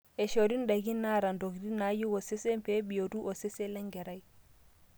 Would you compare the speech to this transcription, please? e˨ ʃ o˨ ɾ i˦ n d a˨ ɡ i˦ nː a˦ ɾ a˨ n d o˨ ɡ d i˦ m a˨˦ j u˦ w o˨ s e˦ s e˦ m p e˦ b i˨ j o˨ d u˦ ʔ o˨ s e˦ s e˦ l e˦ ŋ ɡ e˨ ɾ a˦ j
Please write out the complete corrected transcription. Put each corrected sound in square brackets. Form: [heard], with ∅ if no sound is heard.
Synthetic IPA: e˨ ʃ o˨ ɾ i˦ n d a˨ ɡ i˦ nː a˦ ɾ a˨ n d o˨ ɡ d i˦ [n] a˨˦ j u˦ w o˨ s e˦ s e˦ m p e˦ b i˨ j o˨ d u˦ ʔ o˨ s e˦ s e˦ l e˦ ŋ ɡ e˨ ɾ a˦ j